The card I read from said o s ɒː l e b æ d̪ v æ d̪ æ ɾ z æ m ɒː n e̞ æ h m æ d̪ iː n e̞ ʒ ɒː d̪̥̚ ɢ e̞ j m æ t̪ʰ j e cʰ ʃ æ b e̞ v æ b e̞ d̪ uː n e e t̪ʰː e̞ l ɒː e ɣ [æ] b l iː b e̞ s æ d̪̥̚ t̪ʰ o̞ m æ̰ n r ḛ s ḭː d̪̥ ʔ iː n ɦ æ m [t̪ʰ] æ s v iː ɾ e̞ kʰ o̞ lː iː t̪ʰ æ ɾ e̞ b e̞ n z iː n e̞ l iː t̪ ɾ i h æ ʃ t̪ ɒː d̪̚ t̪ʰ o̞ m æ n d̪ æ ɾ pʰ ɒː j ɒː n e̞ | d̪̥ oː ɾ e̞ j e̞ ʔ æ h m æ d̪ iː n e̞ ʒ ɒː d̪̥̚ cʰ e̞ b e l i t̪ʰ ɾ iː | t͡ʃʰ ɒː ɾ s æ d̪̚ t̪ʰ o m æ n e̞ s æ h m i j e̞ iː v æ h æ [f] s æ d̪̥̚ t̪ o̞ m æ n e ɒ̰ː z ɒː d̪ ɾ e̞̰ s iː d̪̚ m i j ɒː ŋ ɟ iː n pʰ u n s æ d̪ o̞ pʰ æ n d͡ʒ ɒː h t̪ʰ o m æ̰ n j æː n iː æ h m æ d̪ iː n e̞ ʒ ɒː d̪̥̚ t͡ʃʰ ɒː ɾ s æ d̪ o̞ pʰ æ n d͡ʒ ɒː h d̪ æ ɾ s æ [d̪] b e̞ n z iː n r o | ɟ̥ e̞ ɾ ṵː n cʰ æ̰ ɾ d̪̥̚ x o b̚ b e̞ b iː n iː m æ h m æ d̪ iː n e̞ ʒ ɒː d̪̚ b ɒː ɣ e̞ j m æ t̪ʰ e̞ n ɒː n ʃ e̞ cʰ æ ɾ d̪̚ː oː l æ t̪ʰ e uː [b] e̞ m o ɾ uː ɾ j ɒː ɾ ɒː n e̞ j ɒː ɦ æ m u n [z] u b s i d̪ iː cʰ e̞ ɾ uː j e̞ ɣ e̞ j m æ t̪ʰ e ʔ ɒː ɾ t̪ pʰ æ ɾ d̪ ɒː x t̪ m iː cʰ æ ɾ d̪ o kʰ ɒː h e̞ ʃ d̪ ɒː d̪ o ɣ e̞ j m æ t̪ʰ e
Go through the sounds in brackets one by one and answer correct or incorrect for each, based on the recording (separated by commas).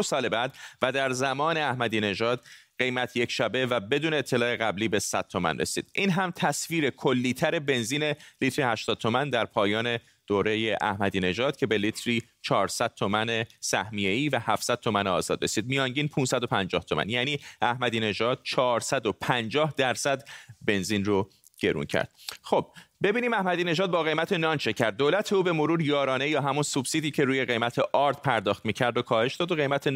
correct, correct, correct, correct, correct, incorrect